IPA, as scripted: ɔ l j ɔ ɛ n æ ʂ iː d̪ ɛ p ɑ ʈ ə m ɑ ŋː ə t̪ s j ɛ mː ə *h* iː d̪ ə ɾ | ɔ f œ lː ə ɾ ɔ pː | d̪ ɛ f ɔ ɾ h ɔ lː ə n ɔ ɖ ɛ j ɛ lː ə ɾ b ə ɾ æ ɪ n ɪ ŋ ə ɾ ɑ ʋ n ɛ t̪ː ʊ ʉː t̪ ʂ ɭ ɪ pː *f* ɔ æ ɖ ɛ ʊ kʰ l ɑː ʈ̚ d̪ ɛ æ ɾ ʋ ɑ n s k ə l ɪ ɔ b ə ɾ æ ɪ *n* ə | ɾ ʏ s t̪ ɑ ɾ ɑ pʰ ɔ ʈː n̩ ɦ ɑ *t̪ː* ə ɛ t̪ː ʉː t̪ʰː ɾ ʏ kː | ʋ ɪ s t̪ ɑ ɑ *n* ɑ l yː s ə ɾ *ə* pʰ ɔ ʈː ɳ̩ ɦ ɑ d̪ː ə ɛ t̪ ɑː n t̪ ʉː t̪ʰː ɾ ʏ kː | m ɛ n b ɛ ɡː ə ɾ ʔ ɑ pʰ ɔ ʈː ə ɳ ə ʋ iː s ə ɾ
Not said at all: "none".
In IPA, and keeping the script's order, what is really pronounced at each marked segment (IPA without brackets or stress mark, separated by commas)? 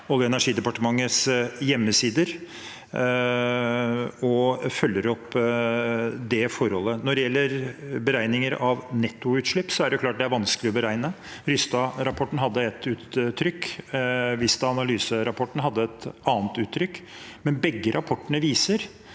s, s, n, d̪ː, n, ɑ